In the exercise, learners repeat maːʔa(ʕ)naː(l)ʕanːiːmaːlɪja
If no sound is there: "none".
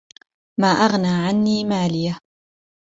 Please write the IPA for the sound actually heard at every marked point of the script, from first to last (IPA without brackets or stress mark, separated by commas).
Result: ɣ, none